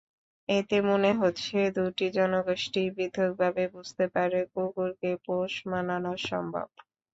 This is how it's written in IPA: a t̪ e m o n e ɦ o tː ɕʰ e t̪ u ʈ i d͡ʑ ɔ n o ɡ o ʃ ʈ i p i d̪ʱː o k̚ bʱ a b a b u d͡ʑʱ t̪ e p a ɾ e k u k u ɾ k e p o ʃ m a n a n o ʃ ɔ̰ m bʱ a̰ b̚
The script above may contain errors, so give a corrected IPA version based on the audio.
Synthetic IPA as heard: e t̪ e m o n e ɦ o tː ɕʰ e d̪ u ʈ i d͡ʑ ɔ n o ɡ o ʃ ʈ i b i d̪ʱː o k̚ bʱ a b e b u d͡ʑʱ t̪ e p a ɾ e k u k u ɾ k e p o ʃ m a n a n o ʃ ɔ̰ m bʱ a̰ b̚